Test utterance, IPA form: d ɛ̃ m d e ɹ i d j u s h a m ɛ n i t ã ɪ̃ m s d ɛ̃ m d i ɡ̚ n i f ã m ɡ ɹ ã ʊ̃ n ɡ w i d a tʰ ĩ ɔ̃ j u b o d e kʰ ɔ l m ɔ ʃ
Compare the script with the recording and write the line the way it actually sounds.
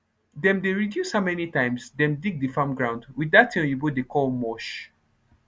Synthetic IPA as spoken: d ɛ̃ m d e ɹ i d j u s h a m ɛ n i t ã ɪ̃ m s d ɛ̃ m d i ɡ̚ d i f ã m ɡ ɹ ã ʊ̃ n d w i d a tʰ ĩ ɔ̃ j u b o d e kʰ ɔ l m ɔ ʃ